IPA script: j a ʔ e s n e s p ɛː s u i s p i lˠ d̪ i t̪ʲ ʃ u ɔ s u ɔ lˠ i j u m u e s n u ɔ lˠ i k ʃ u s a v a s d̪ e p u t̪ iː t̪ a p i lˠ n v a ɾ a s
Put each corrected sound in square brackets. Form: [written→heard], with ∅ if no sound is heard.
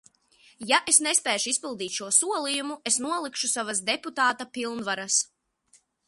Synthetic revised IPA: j a ʔ e s n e s p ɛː [s→ʃ] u i s p i lˠ d̪ [i→iː] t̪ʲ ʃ u ɔ s u ɔ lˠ i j u m u e s n u ɔ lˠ i k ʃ u s a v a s d̪ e p u t̪ [iː→aː] t̪ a p i lˠ n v a ɾ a s

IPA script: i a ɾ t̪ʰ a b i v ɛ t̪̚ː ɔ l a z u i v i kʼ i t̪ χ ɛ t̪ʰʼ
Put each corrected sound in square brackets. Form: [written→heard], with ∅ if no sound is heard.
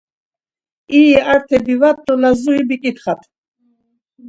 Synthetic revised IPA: i a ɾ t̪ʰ [a→ɛ] b i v [ɛ→a] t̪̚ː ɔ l a z u i [v→b] i kʼ i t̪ χ [ɛ→a] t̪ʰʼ

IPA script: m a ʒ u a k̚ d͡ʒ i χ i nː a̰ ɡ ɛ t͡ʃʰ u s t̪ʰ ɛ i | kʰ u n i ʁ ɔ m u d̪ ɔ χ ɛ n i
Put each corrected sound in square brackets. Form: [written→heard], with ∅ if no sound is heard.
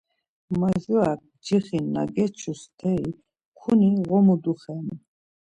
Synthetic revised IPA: m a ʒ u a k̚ d͡ʒ i χ i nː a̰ ɡ ɛ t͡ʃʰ u s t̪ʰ ɛ i | kʰ u n i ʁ ɔ m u d̪ [ɔ→u] χ ɛ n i

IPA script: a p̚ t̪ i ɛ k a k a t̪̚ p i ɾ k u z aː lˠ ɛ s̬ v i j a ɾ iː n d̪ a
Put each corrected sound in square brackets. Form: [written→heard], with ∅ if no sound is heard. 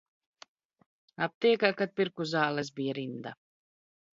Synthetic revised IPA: a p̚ t̪ i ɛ k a k a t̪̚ p i ɾ k u z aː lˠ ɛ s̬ [v→b] i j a ɾ [iː→i] n d̪ a

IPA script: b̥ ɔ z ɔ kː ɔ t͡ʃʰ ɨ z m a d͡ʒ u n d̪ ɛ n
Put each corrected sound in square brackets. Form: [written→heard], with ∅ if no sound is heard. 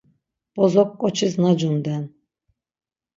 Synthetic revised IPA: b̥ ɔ z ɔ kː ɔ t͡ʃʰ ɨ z [m→n] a d͡ʒ u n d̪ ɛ n

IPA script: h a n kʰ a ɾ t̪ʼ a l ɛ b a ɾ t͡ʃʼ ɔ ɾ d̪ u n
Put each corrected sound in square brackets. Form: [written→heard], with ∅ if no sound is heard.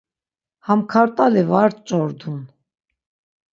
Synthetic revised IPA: h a [n→m] kʰ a ɾ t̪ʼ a l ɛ [b→v] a ɾ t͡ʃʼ ɔ ɾ d̪ u n

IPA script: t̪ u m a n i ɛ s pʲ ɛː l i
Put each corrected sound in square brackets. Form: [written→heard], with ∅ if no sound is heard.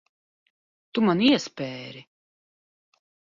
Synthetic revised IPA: t̪ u m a n i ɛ s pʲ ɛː [l→ɾ] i

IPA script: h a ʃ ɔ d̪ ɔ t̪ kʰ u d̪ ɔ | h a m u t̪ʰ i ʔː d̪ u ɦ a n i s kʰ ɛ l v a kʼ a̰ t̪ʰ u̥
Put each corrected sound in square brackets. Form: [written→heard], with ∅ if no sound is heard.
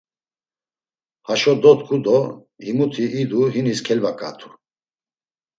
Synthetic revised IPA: h a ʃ ɔ d̪ ɔ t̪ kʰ u d̪ ɔ | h [a→i] m u t̪ʰ i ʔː d̪ u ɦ [a→i] n i s kʰ ɛ l v a kʼ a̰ t̪ʰ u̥

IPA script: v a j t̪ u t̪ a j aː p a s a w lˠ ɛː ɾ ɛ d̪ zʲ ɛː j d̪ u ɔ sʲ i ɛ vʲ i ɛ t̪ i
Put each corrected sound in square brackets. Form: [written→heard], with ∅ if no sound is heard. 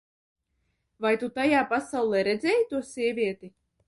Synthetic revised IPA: v a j t̪ u t̪ a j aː p a s a w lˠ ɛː ɾ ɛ d̪ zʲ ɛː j [d̪→t̪] u ɔ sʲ i ɛ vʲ i ɛ t̪ i

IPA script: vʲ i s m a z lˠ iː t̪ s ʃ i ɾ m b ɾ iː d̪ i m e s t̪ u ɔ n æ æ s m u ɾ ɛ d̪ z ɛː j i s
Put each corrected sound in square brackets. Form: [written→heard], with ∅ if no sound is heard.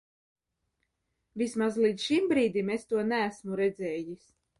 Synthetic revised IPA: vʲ i s m a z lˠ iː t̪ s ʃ i [ɾ→∅] m b ɾ iː d̪ i m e s t̪ u ɔ n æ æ s m u ɾ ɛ d̪ z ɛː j i s

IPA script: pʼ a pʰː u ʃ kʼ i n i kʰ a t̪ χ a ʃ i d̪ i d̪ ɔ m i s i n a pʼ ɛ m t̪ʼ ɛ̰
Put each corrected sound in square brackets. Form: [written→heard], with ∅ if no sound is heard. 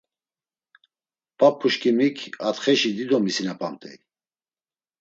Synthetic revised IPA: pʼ a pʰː u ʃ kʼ i [n→m] i kʰ a t̪ χ [a→ɛ] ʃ i d̪ i d̪ ɔ m i s i n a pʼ [ɛ→a] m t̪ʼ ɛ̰

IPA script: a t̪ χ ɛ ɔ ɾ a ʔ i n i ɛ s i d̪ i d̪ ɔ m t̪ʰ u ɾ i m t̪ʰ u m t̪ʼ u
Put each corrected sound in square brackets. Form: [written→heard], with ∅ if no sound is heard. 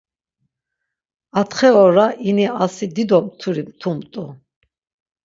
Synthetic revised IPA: a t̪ χ ɛ ɔ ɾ a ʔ i n i [ɛ→a] s i d̪ i d̪ ɔ m t̪ʰ u ɾ i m t̪ʰ u m t̪ʼ u

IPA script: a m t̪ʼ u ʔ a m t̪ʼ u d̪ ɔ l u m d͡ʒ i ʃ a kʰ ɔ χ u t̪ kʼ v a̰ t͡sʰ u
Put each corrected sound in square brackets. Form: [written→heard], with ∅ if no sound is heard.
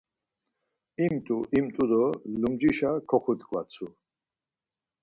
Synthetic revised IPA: [a→i] m t̪ʼ u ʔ [a→i] m t̪ʼ u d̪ ɔ l u m d͡ʒ i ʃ a kʰ ɔ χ u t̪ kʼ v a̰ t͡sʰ u

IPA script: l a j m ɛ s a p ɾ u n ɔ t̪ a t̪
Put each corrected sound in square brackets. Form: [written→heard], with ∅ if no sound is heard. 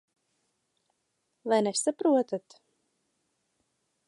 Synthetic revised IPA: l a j [m→n] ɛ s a p ɾ u [n→∅] ɔ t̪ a t̪

